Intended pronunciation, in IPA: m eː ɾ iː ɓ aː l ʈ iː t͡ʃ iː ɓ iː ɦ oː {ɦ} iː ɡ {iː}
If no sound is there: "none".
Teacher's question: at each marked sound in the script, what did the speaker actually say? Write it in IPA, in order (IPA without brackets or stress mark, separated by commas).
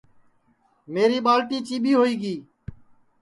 none, iː